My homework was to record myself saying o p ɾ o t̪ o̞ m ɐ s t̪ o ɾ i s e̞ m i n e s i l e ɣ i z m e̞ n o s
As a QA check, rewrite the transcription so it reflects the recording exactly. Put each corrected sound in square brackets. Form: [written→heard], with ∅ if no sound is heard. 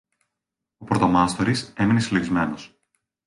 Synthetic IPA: o p ɾ o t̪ o̞ m ɐ s t̪ o ɾ i s e̞ m i n e s i l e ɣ i z m e̞ n o s